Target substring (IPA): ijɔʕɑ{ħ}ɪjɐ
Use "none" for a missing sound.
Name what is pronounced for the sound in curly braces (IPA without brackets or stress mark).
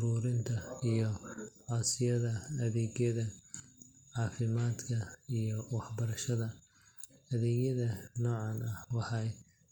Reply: s